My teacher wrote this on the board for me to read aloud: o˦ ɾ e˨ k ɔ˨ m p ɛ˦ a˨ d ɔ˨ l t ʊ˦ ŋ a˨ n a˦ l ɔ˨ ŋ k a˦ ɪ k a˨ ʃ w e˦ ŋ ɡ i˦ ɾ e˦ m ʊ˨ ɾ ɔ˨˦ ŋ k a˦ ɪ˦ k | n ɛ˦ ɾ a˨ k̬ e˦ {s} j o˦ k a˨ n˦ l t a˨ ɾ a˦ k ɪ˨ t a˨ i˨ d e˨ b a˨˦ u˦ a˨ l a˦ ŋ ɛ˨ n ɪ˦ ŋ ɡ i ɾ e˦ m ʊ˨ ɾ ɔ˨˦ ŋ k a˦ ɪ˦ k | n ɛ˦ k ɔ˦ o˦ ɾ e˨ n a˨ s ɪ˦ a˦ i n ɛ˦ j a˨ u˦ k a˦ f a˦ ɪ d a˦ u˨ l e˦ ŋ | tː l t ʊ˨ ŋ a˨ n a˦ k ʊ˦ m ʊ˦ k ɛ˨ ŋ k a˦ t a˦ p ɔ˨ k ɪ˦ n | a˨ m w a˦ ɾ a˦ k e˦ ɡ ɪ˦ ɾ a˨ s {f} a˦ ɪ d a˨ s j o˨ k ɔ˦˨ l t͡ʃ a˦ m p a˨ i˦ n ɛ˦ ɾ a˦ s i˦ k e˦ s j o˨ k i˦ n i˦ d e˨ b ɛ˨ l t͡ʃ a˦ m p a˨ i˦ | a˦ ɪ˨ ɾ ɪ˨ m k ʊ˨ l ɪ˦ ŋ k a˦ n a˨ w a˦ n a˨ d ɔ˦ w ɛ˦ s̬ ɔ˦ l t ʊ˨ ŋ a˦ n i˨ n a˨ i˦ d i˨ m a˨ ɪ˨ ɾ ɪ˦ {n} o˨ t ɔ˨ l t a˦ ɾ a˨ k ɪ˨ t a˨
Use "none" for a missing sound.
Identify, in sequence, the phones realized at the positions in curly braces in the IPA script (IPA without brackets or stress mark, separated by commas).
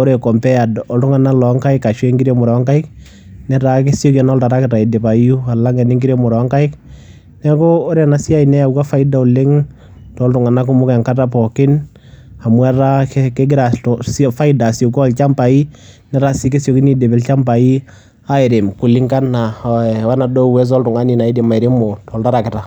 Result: s, f, m